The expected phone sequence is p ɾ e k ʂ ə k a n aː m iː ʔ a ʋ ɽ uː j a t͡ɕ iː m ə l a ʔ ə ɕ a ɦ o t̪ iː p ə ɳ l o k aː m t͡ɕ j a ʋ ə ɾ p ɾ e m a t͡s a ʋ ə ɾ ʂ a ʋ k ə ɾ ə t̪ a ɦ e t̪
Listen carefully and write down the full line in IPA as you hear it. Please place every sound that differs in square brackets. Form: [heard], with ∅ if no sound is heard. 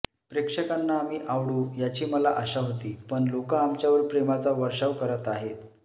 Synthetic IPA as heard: p ɾ e k ʂ ə k a [nː] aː m iː ʔ a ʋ ɽ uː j a t͡ɕ iː m ə l a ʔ ə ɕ a ɦ o t̪ iː p ə ɳ l o k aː m t͡ɕ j a ʋ ə ɾ p ɾ e m a t͡s a ʋ ə ɾ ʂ a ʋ k ə ɾ ə t̪ a ɦ e t̪